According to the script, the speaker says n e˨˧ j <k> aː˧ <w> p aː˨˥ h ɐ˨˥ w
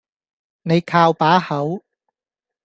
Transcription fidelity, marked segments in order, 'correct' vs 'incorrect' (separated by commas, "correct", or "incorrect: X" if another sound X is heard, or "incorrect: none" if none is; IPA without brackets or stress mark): incorrect: kʰ, correct